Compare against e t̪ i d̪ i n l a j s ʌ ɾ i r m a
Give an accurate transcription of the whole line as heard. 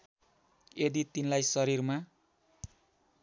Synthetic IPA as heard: e d̪ i t̪ i n l a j s ʌ ɾ i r m a